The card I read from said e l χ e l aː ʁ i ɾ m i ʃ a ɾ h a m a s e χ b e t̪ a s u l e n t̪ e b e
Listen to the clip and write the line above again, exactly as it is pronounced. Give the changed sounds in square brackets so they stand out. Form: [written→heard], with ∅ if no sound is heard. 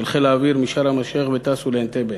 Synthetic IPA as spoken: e l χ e l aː [ʁ→v] i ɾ m i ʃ a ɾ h a m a [s→ʃ] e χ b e t̪ a s u l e n t̪ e b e

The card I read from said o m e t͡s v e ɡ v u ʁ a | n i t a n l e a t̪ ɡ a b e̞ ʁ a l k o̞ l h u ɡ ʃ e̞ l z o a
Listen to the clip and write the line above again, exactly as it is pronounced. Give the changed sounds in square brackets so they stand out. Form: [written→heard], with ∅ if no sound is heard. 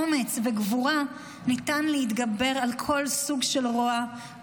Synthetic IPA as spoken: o m e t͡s v e ɡ v u ʁ a | n i t a n l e [a→i] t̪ ɡ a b e̞ ʁ a l [k→kʰ] o̞ l [h→s] u ɡ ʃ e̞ l [z→ʁ] o a

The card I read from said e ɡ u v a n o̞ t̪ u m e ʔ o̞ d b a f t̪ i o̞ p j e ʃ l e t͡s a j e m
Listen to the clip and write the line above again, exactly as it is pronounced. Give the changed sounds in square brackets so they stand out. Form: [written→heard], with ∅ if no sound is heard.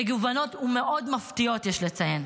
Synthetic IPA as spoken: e ɡ u v a n o̞ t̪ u m e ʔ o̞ d [b→m] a f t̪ i o̞ [p→t] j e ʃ l e t͡s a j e [m→n]

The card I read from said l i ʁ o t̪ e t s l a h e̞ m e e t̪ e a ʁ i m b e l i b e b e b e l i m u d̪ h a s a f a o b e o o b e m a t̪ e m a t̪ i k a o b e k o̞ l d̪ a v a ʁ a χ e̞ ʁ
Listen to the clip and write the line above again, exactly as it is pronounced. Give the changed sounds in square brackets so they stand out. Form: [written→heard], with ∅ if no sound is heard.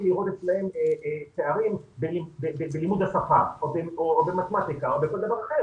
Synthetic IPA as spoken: l i ʁ o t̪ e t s l a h e̞ m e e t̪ e a ʁ i m b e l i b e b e b e l i m u d̪ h a s a f a o b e o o b e m a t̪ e m a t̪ i k a o b e k o̞ l d̪ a v a ʁ a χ e̞ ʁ

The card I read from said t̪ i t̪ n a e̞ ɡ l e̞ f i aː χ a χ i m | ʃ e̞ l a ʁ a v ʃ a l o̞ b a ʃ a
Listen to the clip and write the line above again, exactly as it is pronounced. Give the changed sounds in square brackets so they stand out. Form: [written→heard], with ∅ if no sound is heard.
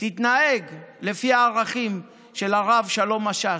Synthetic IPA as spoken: t̪ i t̪ n a e̞ ɡ l e̞ f i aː [χ→ʁ] a χ i m | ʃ e̞ l a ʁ a v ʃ a l o̞ [b→m] a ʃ a

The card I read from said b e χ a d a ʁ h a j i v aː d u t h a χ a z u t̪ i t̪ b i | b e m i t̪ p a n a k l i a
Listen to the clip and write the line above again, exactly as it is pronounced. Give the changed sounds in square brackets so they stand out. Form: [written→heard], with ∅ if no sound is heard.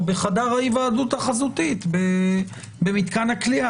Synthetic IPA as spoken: b e χ a d a ʁ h a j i v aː d u t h a χ a z u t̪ i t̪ b [i→e] | b e m i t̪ [p→k] a n a k l i a

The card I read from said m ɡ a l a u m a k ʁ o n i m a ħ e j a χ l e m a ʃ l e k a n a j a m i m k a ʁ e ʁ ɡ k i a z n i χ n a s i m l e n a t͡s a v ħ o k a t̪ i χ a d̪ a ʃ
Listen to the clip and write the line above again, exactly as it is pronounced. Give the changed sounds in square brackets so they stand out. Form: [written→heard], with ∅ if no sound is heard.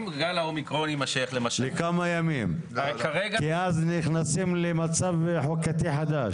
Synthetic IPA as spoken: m ɡ a l a [u→o] m [a→i] k ʁ o n i m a [ħ→ʃ] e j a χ l e m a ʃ l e k a [n→m] a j a m i m k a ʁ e [ʁ→∅] ɡ k i a z n i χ n a s i m l e [n→m] a t͡s a v ħ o k a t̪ i [χ→ħ] a d̪ a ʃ

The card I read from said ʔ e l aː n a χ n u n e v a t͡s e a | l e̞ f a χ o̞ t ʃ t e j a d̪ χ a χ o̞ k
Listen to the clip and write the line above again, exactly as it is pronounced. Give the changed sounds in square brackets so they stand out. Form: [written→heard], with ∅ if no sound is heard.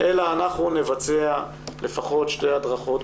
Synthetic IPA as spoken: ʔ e l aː n a χ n u n e v a t͡s e a | l e̞ f a χ o̞ t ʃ t e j a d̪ [χ→ʁ] a χ o̞ [k→t]

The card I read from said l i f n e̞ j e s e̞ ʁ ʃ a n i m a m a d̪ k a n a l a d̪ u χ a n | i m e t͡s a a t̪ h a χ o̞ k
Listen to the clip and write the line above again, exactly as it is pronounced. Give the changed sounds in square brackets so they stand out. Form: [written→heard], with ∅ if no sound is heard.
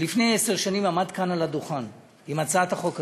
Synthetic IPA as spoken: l i f n e̞ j e s e̞ ʁ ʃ a n i m a m a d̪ k a n a l a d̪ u χ a n | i m [e→a] t͡s a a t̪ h a χ o̞ k

